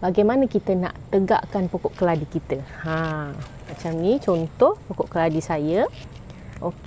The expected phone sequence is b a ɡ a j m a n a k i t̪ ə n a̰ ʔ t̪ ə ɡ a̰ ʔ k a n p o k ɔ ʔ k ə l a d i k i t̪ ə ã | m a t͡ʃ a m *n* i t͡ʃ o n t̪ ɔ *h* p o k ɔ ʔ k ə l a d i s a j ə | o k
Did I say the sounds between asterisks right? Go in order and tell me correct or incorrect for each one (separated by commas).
correct, correct